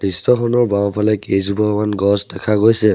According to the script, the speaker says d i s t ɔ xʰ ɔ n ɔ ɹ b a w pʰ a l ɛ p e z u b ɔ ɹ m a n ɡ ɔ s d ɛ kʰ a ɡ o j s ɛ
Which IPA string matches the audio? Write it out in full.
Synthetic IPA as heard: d i s t ɔ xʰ ɔ n ɔ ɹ b a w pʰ a l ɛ k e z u b ɔ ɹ m a n ɡ ɔ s d ɛ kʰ a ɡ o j s ɛ